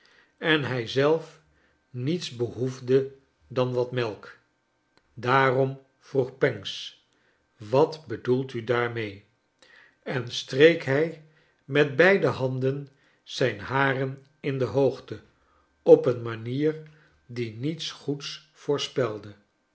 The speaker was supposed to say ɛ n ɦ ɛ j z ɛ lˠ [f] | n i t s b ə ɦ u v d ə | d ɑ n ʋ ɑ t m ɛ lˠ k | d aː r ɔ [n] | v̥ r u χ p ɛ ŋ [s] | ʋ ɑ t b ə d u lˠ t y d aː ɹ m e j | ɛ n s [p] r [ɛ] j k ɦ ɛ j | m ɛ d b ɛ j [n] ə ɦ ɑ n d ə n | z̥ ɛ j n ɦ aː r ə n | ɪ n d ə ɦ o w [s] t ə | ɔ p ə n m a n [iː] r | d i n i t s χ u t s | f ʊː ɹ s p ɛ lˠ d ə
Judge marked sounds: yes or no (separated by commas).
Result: yes, no, yes, no, no, no, no, yes